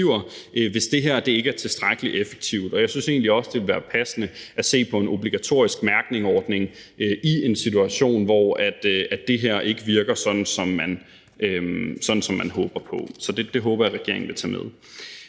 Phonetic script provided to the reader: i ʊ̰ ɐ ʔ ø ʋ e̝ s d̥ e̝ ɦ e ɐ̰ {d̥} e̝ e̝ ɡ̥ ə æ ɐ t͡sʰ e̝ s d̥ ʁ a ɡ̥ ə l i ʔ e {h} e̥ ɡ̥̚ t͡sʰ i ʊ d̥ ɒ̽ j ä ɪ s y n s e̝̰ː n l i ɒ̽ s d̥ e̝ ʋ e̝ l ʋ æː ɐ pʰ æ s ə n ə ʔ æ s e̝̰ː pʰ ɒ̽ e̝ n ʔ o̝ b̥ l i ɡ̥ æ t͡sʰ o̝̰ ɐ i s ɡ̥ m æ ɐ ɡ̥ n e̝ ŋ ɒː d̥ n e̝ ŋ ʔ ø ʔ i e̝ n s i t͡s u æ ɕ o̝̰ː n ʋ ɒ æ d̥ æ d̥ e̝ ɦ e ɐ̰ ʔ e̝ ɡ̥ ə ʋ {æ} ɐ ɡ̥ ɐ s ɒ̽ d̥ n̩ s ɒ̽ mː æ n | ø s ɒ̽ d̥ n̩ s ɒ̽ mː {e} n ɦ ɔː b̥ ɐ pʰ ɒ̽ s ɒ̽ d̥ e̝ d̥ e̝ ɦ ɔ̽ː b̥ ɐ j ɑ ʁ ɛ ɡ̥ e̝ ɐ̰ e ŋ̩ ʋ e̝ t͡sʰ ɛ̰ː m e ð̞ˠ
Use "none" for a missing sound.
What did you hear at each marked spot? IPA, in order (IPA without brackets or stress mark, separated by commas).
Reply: d̥, f, i, æ